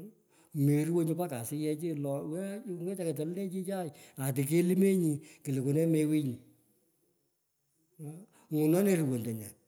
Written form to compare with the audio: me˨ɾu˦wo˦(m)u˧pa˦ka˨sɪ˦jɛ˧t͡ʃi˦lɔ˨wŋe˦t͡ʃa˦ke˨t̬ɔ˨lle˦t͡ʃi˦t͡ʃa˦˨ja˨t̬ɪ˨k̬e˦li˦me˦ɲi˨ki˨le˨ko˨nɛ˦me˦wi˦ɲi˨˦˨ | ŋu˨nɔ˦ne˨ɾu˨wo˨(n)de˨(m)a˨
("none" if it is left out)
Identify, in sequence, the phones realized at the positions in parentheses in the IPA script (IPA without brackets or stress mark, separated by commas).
ɲ, n, ɲ